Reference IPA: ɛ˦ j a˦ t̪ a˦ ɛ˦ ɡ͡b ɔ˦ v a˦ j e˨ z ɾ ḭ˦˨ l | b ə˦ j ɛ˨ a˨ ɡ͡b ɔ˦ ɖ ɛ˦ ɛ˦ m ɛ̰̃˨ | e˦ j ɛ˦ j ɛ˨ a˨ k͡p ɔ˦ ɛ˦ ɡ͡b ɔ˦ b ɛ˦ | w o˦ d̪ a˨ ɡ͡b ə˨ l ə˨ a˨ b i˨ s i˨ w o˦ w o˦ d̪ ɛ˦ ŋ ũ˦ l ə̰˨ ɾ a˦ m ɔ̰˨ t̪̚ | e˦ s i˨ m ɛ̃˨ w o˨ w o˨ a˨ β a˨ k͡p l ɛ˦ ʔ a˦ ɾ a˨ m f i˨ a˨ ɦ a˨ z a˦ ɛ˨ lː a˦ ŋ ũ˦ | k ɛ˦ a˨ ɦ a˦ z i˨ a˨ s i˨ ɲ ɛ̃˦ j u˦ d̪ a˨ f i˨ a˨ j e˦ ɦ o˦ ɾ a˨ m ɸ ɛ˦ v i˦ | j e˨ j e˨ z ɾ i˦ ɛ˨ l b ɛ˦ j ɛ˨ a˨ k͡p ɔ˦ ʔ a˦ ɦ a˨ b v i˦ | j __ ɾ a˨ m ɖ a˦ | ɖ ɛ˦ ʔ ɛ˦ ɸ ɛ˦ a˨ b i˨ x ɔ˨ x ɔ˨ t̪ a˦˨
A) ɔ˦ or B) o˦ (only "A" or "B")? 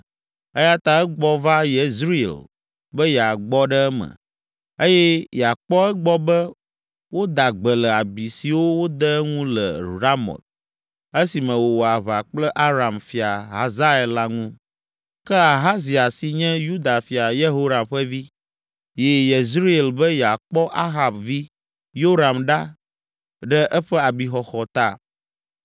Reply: B